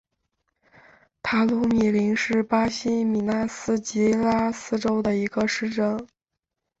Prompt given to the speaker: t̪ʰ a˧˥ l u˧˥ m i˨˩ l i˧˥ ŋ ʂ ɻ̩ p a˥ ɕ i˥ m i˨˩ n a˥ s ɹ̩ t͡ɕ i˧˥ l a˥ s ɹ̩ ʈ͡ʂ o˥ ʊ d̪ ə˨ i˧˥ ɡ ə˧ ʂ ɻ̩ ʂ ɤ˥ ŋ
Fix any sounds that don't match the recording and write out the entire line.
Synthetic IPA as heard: t̪ʰ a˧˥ l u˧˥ m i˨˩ l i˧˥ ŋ ʂ ɻ̩ p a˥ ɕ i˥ m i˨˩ n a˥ s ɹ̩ t͡ɕ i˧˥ l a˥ s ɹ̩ ʈ͡ʂ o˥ ʊ d̪ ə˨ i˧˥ ɡ ə˧ ʂ ɻ̩ ʈ͡ʂ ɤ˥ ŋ